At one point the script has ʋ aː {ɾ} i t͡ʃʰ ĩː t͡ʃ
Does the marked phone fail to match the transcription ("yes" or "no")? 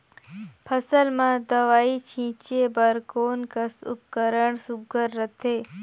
yes